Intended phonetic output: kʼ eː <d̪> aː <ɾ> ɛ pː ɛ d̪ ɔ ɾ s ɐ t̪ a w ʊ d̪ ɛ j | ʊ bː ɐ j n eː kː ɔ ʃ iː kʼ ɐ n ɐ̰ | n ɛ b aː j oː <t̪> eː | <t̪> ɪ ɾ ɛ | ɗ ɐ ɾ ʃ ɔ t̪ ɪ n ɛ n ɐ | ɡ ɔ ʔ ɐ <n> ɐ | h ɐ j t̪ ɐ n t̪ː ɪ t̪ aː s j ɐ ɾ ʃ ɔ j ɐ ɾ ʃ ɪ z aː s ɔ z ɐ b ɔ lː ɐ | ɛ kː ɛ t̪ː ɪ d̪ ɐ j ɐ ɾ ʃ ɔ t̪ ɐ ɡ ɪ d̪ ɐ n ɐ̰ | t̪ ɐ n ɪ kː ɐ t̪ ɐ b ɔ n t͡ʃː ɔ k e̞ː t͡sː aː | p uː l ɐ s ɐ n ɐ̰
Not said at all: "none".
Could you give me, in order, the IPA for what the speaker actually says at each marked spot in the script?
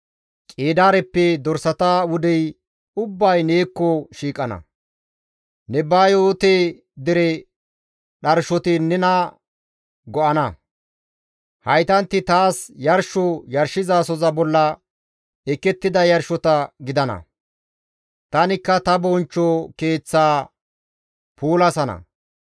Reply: d̪, ɾ, t̪, d̪, n

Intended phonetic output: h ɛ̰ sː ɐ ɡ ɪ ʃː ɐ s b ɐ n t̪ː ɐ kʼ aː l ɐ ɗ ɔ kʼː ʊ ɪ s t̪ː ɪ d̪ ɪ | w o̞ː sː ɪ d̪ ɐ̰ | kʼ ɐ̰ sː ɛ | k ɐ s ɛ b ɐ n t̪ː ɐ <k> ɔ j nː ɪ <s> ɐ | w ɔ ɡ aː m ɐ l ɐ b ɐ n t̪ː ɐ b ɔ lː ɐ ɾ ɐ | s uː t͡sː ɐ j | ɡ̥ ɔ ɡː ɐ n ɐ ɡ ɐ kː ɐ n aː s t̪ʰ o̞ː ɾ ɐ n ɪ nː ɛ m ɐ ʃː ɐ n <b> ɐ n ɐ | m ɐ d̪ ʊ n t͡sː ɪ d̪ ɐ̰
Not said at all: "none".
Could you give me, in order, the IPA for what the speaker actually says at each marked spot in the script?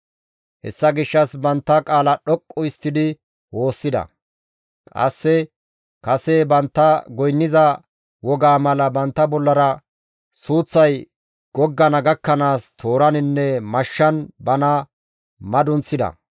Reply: ɡ, z, b

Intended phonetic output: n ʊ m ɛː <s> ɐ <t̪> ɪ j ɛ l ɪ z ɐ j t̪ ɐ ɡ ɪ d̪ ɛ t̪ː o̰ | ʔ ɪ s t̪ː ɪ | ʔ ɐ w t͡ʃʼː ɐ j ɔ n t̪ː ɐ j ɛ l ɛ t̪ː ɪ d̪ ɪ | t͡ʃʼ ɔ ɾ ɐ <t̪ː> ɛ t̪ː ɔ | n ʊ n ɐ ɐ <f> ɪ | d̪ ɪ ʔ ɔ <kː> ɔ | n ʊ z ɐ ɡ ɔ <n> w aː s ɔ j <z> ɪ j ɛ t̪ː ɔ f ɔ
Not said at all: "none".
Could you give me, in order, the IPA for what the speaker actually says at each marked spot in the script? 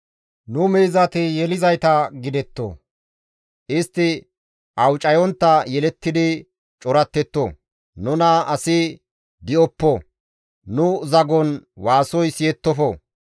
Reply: z, t̪, t̪ː, s, pː, n, s

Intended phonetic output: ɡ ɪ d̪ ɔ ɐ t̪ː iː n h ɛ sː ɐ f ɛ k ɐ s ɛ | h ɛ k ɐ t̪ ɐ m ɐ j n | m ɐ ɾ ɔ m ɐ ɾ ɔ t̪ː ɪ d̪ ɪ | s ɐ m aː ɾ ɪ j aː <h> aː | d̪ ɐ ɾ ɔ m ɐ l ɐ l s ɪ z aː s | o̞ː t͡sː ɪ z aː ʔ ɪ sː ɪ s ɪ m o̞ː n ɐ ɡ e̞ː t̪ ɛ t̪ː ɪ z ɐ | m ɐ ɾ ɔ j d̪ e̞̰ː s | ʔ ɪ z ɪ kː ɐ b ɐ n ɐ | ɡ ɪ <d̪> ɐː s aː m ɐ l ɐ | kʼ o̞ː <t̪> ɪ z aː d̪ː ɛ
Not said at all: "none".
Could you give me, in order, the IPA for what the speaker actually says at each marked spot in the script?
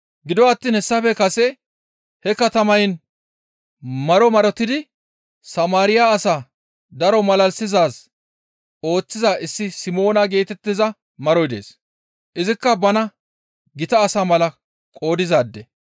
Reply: s, t̪, d̪

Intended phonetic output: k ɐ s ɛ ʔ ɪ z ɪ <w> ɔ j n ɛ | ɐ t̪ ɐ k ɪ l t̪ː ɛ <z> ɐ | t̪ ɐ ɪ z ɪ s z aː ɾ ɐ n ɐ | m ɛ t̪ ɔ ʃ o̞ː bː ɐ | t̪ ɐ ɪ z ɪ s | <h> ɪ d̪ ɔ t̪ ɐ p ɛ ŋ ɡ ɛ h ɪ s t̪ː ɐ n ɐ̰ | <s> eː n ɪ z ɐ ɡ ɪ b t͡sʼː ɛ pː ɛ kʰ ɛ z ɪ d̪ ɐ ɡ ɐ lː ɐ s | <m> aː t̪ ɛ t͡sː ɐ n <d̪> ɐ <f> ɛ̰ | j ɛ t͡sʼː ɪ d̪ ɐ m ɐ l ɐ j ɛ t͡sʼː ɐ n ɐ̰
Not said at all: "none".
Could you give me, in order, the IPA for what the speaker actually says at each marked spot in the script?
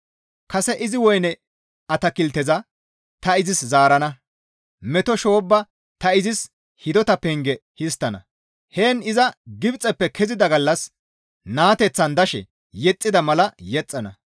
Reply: w, z, h, h, n, d̪, ʃ

